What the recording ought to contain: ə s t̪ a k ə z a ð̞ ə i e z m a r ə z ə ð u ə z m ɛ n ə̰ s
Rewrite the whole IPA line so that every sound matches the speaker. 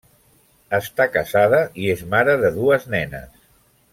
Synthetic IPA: ə s t̪ a k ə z a ð̞ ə i e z m a ɾ ə ð ə ð u ə z n ɛ n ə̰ s